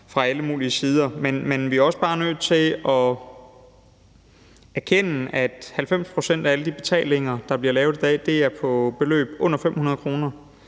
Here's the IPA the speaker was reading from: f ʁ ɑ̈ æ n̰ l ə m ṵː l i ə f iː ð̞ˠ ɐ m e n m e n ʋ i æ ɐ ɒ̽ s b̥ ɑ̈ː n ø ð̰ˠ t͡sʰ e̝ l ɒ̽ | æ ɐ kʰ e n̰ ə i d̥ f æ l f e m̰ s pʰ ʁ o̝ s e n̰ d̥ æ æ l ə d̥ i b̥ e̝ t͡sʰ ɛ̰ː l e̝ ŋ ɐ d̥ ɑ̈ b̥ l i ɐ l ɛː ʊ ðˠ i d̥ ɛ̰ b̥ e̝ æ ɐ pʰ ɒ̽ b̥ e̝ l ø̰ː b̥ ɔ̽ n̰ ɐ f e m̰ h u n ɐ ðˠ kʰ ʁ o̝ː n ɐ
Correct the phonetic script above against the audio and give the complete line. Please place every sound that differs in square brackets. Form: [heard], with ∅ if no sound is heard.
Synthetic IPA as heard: f ʁ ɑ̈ æ [∅] l ə m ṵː l i ə [s] iː ð̞ˠ ɐ m e n m e n ʋ i æ ɐ ɒ̽ s b̥ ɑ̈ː n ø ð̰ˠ t͡sʰ e̝ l ɒ̽ | æ ɐ kʰ e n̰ ə [æ] d̥ [h] æ l f e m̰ s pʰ ʁ o̝ s e n̰ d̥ æ æ l ə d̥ i b̥ e̝ t͡sʰ ɛ̰ː l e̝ ŋ ɐ d̥ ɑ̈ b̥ l i ɐ l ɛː ʊ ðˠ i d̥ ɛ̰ [d̥] e̝ æ ɐ pʰ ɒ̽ b̥ e̝ l ø̰ː b̥ ɔ̽ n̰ ɐ f e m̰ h u n ɐ ðˠ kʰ ʁ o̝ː n ɐ